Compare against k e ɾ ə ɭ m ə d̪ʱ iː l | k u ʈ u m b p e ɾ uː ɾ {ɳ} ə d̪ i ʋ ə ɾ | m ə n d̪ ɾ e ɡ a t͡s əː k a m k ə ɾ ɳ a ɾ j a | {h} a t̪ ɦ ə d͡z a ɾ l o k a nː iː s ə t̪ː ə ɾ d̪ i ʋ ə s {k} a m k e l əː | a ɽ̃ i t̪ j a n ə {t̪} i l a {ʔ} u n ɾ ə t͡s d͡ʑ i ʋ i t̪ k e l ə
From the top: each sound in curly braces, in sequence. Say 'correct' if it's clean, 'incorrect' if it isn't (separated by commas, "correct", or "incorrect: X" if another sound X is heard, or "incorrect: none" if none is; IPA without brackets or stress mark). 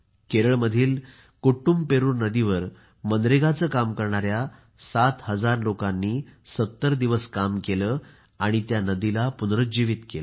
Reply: incorrect: n, incorrect: s, correct, incorrect: d̪, incorrect: p